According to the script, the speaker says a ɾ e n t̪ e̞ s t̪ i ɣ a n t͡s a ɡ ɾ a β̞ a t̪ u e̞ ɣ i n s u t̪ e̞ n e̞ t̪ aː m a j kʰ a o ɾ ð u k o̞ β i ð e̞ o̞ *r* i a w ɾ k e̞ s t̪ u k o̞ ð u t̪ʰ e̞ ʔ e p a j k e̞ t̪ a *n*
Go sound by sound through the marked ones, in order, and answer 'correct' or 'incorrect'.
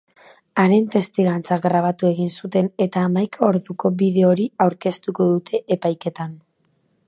incorrect: ɾ, correct

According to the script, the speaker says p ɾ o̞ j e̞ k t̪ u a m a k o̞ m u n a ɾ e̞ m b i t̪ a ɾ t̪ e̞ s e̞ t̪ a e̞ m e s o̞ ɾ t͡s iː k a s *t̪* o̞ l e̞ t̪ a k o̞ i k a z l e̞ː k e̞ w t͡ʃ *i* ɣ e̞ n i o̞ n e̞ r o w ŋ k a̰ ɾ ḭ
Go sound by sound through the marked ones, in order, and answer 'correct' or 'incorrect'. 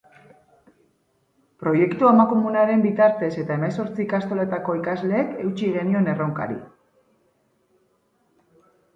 correct, correct

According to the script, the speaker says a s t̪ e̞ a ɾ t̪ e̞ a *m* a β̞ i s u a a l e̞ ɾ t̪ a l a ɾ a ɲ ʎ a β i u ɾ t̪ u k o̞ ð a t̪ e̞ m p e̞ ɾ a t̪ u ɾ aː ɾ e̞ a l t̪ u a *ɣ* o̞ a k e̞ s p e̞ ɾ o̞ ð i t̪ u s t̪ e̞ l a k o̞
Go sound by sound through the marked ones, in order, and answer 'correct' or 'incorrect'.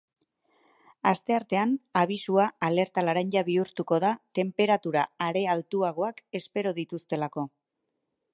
incorrect: n, correct

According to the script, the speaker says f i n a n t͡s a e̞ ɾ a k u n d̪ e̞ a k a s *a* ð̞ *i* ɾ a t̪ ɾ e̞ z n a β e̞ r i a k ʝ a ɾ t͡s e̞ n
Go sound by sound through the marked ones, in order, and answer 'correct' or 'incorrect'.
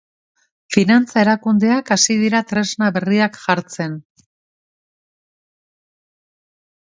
incorrect: i, correct

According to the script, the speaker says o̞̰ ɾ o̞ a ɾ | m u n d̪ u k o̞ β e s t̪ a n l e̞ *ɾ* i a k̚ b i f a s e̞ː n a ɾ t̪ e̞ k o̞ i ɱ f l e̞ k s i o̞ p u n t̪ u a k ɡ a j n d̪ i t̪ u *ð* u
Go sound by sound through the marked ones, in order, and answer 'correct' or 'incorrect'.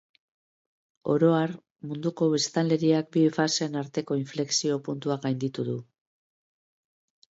correct, correct

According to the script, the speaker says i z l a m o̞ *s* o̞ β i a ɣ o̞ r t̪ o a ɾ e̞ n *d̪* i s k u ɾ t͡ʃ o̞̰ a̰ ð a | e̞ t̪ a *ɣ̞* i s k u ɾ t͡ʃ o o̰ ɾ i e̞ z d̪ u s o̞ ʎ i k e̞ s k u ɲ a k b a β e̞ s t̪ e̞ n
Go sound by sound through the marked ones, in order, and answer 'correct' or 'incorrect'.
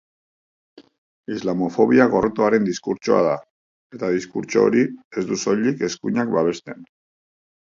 incorrect: f, correct, incorrect: ð̞

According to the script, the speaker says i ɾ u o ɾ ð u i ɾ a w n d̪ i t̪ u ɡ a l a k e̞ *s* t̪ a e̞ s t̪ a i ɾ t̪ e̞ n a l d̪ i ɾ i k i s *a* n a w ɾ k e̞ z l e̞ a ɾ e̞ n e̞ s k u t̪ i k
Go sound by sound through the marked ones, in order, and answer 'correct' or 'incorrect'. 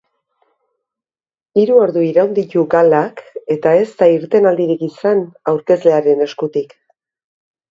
incorrect: none, correct

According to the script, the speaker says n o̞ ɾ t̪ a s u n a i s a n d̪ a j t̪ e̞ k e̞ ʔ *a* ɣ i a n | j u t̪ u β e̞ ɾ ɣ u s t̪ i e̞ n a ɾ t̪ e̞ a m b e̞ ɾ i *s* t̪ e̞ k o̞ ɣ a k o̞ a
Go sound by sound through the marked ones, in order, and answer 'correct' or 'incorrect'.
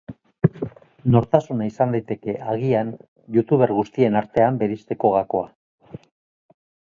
correct, correct

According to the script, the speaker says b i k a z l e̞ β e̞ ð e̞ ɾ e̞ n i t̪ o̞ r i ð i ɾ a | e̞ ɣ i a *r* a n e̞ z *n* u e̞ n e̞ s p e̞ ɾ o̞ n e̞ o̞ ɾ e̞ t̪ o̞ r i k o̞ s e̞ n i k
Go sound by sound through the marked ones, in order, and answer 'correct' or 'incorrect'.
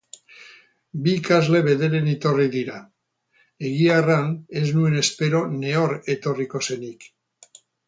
correct, correct

